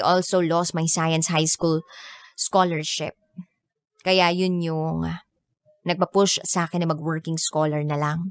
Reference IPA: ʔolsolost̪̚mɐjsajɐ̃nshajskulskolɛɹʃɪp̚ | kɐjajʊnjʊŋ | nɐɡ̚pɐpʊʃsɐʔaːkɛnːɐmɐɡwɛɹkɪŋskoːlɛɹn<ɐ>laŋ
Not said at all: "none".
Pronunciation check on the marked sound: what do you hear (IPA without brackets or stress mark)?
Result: ɐ